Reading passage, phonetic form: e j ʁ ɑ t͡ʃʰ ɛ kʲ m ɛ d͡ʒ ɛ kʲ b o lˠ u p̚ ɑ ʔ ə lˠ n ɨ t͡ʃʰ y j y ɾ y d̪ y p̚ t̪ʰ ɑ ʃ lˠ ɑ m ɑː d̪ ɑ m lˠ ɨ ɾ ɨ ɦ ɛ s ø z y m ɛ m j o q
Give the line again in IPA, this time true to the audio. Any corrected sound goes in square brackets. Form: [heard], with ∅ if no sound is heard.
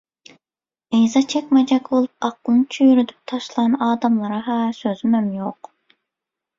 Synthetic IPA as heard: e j [z] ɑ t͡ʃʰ ɛ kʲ m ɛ d͡ʒ ɛ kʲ b o lˠ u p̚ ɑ [q] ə lˠ n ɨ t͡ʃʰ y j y ɾ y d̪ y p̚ t̪ʰ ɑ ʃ lˠ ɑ [n] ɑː d̪ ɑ m lˠ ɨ ɾ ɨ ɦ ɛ s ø z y m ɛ m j o q

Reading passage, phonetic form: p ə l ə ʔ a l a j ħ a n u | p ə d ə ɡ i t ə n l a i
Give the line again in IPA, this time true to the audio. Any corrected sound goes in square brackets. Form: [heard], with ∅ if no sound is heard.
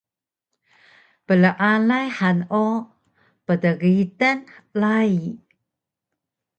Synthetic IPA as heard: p ə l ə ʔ a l a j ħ a n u | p ə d ə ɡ i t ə n l a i

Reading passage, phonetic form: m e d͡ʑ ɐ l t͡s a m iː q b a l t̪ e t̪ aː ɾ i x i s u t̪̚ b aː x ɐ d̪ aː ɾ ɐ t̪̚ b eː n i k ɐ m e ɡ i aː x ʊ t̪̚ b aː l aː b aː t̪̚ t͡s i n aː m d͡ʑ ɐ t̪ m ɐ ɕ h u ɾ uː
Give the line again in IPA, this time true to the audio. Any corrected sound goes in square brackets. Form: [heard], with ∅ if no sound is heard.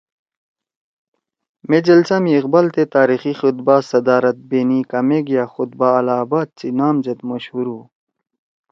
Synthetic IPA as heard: m e d͡ʑ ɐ l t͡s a m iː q b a l t̪ e t̪ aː ɾ i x i [x] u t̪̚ b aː [s] ɐ d̪ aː ɾ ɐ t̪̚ b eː n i k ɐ m e ɡ [j] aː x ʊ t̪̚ b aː l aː b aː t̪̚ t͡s i n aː m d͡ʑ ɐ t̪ m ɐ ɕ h u ɾ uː

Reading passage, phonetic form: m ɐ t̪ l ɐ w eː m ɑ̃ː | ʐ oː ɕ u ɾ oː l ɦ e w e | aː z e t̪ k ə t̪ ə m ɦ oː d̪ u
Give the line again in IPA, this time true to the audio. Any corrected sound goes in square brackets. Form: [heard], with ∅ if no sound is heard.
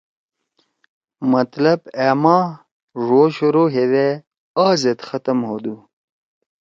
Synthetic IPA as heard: m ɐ t̪ l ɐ [b] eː m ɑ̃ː | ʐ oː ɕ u ɾ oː [∅] ɦ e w e | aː z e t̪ [x] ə t̪ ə m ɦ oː d̪ u

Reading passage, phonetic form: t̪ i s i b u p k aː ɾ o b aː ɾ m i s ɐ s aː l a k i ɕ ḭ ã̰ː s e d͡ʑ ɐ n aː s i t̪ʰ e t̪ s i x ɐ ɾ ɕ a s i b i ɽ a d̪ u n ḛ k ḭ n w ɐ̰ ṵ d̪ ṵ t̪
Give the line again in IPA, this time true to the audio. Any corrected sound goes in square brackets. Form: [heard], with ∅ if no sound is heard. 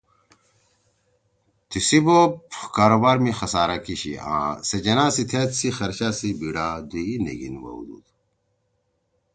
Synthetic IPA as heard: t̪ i s i b [o] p k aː ɾ o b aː ɾ m i [x] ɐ s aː [ɾ] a k i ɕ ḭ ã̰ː s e d͡ʑ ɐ n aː s i t̪ʰ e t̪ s i x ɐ ɾ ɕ a s i b i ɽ a d̪ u n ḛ [ɡ] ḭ n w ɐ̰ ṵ d̪ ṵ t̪

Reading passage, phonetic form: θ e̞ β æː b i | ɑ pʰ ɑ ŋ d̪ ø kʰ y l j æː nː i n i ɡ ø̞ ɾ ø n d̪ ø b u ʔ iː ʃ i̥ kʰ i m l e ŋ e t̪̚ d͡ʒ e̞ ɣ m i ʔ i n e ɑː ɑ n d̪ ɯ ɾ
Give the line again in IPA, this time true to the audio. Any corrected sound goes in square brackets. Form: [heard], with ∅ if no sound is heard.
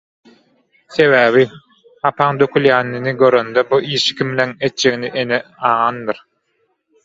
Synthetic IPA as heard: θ e̞ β æː [β] i | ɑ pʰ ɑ ŋ d̪ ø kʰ y l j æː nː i n i ɡ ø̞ ɾ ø n d̪ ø b u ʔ iː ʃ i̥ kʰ i m l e ŋ e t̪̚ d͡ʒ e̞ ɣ [n] i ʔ [e] n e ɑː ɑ n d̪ ɯ ɾ

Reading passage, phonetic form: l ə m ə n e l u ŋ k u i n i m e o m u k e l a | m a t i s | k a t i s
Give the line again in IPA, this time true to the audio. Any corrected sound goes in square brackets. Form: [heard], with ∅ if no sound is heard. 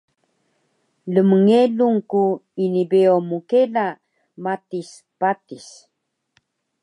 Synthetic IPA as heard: l ə m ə [ŋ] e l u ŋ k u i n i [b] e o m u k e l a | m a t i s | [p] a t i s

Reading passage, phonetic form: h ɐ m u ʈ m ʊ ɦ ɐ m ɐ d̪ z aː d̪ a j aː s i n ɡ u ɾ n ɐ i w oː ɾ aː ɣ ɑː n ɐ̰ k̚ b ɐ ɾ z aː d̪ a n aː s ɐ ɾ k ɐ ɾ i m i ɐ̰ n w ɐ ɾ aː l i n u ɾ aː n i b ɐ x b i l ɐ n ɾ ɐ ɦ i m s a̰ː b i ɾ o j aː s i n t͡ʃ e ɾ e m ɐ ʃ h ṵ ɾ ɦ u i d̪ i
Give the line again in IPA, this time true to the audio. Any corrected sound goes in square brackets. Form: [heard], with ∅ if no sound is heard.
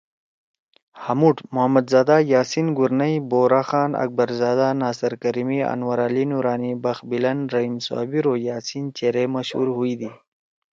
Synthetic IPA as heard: h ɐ m u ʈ m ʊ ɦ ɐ m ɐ d̪ z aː d̪ a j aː s i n ɡ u ɾ n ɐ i [b] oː ɾ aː [x] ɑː n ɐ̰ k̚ b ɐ ɾ z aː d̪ a n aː s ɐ ɾ k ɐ ɾ i m i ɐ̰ n w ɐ ɾ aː l i n u ɾ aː n i b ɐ x b i l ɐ n ɾ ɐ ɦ i m s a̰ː b i ɾ o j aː s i n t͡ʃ e ɾ e m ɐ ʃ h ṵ ɾ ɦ u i d̪ i

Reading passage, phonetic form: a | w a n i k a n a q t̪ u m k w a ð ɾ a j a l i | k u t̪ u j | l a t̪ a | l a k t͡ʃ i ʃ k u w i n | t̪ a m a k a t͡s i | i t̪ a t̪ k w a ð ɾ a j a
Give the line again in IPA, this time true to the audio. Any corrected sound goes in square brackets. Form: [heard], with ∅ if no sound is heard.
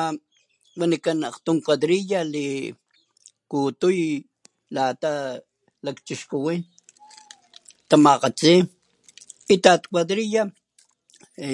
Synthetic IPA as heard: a | w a n i k a n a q t̪ u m k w a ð ɾ [i] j a l i | k u t̪ u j | l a t̪ a | l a k t͡ʃ i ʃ k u w i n | t̪ a m a [q] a t͡s i | i t̪ a t̪ k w a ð ɾ [i] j a

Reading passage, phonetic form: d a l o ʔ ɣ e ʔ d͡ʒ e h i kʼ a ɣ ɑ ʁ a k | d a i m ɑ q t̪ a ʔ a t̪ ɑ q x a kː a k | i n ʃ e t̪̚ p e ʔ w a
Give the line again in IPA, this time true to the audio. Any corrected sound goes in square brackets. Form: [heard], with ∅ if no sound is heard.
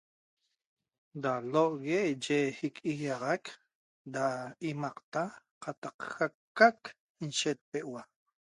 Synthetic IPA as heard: d a l o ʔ ɣ e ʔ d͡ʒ e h i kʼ [i] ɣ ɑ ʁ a k | d a i m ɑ q t̪ a [q] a t̪ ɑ q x a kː a k | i n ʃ e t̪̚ p e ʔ w a

